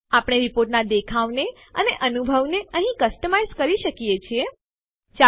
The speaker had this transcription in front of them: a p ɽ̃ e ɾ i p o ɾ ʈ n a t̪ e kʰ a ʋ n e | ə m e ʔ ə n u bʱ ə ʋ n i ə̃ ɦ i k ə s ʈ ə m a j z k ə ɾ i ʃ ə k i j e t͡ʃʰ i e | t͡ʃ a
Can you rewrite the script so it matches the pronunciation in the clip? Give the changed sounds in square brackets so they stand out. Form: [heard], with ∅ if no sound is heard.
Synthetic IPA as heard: a p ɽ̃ e ɾ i p o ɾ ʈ n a [d̪] e kʰ a ʋ n e | ə [n] e ʔ ə n u bʱ ə ʋ n [e] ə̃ ɦ [ĩ] k ə s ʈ ə m a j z k ə ɾ i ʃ ə k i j e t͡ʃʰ i e | t͡ʃ a